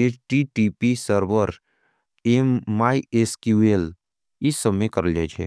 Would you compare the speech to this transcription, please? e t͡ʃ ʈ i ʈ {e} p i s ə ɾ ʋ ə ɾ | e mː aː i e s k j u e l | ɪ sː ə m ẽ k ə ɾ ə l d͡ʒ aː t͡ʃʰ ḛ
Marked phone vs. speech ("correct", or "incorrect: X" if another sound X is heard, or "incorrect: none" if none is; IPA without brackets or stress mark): incorrect: i